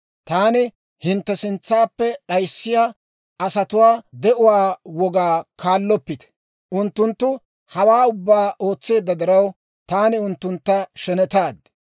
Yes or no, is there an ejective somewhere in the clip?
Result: no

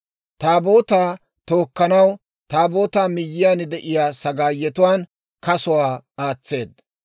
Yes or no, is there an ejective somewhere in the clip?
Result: no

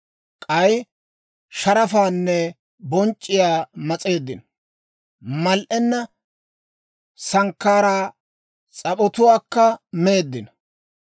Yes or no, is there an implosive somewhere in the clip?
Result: no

